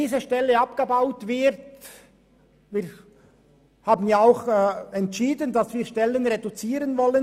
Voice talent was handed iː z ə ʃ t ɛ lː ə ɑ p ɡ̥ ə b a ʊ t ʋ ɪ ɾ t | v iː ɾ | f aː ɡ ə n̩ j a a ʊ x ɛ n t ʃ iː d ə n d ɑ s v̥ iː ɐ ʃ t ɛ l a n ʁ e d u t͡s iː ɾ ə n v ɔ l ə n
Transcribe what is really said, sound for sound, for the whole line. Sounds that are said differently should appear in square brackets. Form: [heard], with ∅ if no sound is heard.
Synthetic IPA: iː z ə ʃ t ɛ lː ə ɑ p ɡ̥ ə b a ʊ t [v] ɪ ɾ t | v iː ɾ | [h] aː [b] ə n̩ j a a ʊ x ɛ n t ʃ iː d ə n d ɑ s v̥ iː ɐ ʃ t ɛ l [ə] n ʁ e d u t͡s iː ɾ ə n v ɔ l ə n